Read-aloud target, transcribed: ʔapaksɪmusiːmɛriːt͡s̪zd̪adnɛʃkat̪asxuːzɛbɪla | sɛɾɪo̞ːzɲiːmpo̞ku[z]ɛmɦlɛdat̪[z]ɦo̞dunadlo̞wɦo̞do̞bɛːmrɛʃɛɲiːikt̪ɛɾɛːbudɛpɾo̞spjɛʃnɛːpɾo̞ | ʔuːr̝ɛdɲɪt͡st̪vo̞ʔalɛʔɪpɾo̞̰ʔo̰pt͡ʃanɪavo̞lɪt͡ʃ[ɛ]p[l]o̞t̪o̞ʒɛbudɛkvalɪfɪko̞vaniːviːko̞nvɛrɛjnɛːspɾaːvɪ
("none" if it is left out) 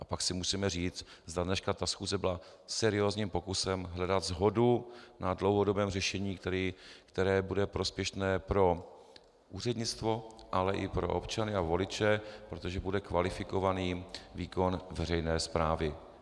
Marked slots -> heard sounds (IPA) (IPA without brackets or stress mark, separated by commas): s, z, ɛ, ɾ